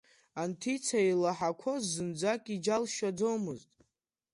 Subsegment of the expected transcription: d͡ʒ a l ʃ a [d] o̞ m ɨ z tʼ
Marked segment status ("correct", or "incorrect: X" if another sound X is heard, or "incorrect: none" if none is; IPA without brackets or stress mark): incorrect: d͡z